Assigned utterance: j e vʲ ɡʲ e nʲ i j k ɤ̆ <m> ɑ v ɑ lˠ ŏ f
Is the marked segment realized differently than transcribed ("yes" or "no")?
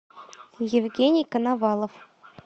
yes